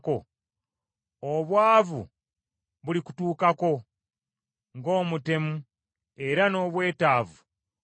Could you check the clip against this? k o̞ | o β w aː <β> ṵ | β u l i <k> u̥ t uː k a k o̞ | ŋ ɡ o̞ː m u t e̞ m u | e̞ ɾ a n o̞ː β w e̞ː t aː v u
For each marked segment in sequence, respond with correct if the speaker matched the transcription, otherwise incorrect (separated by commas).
incorrect, correct